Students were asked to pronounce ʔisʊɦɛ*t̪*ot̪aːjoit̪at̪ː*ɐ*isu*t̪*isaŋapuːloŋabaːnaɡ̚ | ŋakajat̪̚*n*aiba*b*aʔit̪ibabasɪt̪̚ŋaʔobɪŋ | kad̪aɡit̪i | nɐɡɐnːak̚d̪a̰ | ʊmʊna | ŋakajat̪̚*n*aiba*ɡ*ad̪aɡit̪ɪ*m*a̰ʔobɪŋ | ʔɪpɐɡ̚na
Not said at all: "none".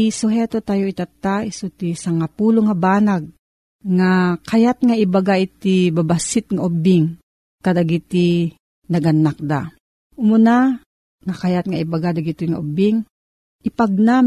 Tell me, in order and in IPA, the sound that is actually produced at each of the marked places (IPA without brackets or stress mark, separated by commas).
t̪, a, t̪, ŋ, ɡ, ŋ, ɡ, ŋ